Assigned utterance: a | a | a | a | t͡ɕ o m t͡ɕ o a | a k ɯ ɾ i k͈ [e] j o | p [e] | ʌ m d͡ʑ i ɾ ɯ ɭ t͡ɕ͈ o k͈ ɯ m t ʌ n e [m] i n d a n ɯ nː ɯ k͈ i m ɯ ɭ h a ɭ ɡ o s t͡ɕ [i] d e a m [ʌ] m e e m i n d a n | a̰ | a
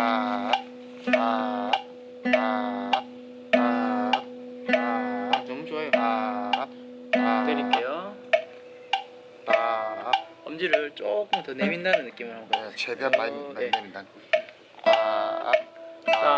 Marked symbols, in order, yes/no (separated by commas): yes, no, yes, no, no